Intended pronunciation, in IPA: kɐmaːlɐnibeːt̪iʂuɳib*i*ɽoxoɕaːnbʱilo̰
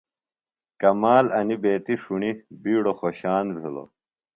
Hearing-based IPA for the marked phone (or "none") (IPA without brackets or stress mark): iː